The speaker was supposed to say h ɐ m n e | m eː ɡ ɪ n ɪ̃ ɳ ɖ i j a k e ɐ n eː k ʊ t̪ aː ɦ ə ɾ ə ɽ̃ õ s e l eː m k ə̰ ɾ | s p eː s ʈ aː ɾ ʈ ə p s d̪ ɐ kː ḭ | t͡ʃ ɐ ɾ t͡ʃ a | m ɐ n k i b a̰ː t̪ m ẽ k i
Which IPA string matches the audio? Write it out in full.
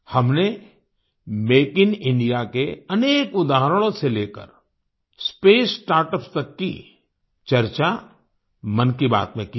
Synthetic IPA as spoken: h ɐ m n e | m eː k ɪ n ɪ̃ ɳ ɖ i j a k e ɐ n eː k ʊ d̪ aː ɦ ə ɾ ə ɽ̃ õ s e l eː k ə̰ ɾ | s p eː s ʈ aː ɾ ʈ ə p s t̪ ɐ kː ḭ | t͡ʃ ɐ ɾ t͡ʃ a | m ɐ n k i b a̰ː t̪ m ẽ k i